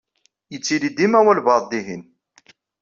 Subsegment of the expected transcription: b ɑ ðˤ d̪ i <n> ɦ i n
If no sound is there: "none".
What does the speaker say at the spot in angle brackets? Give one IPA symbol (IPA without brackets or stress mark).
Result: none